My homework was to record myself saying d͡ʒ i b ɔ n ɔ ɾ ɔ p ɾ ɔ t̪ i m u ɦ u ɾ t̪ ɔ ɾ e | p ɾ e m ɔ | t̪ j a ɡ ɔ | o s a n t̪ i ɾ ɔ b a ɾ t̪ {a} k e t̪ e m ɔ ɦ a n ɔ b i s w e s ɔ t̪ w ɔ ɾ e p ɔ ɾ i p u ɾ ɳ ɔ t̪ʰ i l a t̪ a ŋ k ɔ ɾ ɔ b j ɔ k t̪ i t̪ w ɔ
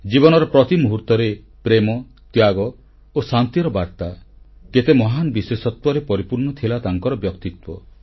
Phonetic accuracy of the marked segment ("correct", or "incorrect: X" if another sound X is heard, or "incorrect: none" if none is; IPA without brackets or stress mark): correct